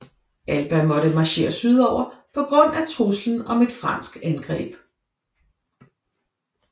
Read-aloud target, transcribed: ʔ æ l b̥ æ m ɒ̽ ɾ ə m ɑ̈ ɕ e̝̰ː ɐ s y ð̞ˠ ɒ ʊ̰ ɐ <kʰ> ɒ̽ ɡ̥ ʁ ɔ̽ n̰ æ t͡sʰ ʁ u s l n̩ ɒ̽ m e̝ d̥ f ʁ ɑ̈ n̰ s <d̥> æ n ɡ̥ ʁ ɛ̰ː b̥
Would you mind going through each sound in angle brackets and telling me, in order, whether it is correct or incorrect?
incorrect, incorrect

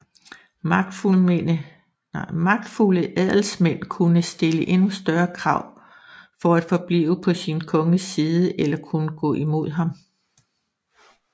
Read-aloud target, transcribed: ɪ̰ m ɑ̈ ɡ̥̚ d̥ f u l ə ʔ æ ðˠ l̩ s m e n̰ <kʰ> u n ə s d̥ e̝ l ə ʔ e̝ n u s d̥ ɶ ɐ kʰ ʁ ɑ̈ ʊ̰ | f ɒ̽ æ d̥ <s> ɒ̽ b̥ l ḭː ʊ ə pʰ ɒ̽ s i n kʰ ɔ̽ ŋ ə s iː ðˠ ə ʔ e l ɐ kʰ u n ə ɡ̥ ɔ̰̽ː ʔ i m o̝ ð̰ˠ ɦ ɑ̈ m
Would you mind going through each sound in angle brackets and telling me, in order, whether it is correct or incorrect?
correct, incorrect

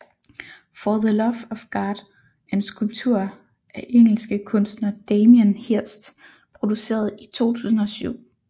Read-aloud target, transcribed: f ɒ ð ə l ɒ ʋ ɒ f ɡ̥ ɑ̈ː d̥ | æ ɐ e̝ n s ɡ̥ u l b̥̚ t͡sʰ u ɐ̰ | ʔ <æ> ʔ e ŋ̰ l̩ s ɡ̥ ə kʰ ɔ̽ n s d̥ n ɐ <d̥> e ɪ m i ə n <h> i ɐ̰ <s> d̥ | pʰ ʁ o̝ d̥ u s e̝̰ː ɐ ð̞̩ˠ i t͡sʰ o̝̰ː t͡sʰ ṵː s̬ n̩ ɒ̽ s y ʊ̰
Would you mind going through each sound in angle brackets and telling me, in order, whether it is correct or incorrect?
correct, correct, correct, correct

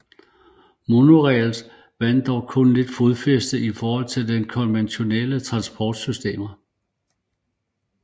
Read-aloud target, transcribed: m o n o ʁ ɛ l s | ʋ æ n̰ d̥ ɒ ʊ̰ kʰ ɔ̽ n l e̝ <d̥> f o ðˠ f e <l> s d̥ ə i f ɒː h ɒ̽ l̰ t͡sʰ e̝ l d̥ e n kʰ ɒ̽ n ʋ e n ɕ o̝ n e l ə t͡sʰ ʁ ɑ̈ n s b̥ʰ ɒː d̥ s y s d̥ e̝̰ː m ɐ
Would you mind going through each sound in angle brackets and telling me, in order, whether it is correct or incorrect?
correct, incorrect

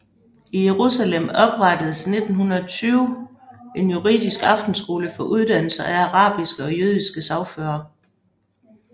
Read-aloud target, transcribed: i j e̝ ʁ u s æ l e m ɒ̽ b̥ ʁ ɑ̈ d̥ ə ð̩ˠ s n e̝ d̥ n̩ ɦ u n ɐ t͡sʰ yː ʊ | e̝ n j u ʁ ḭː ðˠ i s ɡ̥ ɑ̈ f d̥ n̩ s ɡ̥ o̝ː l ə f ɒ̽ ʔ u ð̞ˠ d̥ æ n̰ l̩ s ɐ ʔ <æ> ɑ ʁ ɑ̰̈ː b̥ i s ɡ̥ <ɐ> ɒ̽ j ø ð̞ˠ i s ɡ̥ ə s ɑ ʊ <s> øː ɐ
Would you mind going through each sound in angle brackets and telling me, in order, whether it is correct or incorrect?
correct, incorrect, incorrect

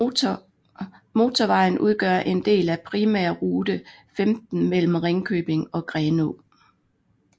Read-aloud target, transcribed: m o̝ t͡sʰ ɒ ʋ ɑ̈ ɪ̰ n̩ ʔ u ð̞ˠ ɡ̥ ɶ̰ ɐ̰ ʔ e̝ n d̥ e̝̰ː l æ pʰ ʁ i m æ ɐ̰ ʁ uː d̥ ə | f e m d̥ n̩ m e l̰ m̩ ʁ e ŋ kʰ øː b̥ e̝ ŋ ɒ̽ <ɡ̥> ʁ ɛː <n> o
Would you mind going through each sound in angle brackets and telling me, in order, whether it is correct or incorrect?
correct, correct

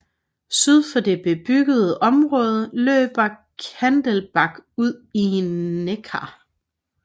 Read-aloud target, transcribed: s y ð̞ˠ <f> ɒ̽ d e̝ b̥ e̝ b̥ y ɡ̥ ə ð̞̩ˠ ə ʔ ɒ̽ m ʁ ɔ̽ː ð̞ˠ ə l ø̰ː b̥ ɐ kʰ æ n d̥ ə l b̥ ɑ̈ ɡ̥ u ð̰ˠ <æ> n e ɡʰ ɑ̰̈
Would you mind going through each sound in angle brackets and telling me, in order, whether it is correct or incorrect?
correct, incorrect

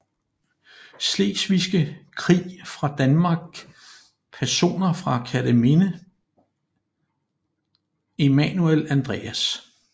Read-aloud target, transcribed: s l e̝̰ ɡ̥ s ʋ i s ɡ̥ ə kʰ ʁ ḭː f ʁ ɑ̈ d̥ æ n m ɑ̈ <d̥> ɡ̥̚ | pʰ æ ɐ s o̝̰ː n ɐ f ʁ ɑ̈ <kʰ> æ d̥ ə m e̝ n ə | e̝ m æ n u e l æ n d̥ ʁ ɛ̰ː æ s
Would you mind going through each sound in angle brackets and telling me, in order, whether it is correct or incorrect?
incorrect, correct

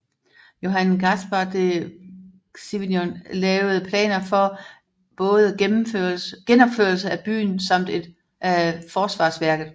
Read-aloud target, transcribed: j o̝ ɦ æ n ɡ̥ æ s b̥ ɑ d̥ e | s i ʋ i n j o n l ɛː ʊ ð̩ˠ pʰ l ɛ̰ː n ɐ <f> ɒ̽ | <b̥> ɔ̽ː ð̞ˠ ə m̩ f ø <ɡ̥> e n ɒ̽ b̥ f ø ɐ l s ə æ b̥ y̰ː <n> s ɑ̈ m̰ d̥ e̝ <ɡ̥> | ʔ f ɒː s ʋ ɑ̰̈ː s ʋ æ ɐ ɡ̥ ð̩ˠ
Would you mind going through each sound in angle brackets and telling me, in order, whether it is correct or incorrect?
correct, correct, correct, correct, incorrect

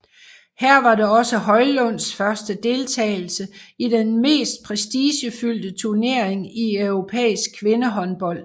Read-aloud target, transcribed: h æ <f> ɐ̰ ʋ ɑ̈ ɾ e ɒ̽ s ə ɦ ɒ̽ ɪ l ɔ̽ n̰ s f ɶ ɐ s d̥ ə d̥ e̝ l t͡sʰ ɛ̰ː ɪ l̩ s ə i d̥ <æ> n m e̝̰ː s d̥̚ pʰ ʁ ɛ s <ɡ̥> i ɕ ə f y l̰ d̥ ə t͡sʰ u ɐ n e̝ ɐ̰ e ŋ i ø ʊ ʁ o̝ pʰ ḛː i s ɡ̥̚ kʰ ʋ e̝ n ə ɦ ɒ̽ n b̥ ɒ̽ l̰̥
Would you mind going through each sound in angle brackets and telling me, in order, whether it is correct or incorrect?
incorrect, incorrect, incorrect

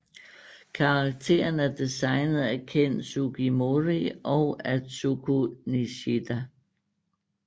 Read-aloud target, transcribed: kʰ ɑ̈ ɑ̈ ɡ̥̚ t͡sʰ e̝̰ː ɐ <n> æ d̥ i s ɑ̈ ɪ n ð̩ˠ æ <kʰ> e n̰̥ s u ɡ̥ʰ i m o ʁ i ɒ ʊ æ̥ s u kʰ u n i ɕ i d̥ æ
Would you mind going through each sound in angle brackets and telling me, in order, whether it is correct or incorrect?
correct, correct

